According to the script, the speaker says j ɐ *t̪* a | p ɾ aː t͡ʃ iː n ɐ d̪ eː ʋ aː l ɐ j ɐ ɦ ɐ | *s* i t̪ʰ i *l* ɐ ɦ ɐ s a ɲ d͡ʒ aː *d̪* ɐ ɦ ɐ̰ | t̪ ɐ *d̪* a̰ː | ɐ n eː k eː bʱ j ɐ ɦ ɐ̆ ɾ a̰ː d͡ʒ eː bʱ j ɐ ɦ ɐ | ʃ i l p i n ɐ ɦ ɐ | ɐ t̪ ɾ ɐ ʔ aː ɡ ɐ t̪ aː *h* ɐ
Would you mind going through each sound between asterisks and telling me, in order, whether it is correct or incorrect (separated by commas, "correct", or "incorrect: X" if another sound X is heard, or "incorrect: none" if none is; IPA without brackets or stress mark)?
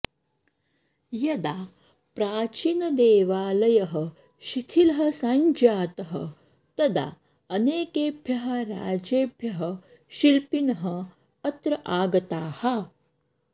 incorrect: d̪, incorrect: ʃ, correct, incorrect: t̪, correct, correct